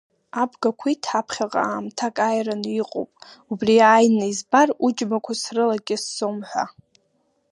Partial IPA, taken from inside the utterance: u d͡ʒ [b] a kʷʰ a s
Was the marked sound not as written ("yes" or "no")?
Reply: yes